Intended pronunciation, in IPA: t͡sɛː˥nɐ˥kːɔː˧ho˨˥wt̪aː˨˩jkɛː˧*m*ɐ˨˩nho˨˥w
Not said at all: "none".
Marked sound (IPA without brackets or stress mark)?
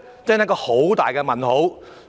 m